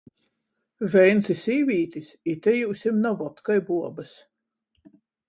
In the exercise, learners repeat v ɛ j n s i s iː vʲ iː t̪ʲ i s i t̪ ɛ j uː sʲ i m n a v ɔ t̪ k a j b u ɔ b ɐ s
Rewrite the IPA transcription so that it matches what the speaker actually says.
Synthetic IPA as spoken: v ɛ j n s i s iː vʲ iː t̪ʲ i s i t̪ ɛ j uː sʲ i m n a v ɔ t̪ k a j b u ɔ b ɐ s